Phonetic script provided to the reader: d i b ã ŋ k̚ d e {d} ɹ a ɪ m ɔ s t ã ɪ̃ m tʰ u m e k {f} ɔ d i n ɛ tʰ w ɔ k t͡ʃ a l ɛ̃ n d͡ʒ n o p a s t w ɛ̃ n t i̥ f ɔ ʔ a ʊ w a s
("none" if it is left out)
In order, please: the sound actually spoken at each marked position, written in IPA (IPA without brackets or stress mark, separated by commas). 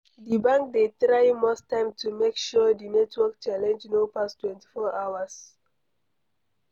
t, ʃ